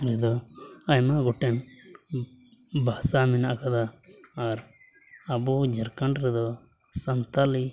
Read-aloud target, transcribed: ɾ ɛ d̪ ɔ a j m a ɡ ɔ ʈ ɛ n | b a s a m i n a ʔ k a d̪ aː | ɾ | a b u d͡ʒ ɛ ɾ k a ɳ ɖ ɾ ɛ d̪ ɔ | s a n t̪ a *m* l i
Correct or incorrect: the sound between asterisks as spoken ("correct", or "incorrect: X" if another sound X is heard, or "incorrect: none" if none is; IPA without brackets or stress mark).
incorrect: none